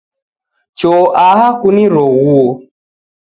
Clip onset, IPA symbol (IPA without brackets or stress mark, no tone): t͡ʃ